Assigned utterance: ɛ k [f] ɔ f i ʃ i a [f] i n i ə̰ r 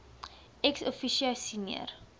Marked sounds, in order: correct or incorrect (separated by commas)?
incorrect, incorrect